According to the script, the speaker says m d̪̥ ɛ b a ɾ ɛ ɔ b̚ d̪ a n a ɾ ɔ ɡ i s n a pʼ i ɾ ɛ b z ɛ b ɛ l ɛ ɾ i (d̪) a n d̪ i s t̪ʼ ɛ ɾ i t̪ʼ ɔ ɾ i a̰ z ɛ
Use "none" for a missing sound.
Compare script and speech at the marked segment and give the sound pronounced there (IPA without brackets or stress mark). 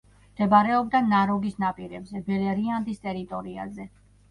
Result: none